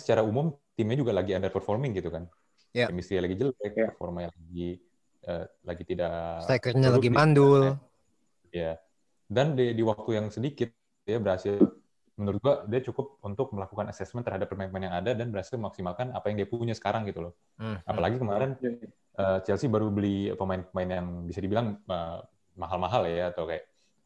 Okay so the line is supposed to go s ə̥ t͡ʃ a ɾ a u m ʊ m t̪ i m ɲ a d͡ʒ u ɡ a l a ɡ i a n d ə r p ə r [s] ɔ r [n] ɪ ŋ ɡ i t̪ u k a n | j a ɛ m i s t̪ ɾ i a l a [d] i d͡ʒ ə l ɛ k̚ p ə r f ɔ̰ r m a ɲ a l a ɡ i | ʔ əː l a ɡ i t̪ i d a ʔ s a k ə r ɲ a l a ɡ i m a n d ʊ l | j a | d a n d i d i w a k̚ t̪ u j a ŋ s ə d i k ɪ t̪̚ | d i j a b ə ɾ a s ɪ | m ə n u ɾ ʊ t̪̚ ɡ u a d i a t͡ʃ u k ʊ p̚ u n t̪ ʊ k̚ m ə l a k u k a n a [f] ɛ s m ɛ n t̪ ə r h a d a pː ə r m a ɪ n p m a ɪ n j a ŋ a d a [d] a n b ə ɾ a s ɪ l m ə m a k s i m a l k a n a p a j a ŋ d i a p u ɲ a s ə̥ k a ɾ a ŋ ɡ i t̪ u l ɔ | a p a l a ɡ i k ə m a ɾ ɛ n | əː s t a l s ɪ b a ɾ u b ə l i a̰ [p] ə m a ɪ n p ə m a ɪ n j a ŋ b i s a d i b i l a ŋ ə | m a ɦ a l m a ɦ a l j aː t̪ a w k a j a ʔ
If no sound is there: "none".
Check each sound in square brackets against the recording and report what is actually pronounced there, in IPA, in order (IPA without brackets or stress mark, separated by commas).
f, m, ɡ, s, d, p